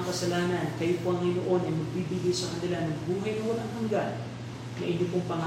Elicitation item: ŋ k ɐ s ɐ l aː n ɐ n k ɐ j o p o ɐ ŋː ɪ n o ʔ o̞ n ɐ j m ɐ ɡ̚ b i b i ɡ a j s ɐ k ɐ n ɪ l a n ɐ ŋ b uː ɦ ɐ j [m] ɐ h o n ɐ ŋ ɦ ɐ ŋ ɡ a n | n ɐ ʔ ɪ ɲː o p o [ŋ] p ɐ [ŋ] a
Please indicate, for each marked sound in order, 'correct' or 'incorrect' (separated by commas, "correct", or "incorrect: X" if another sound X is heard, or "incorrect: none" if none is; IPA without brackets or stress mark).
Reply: incorrect: n, correct, correct